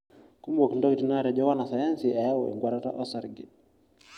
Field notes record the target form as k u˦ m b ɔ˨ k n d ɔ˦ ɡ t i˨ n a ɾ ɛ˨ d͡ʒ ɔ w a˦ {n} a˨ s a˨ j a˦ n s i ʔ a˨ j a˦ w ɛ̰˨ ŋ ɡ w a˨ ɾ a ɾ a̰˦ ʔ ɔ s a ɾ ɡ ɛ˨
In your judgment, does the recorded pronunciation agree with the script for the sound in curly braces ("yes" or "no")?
yes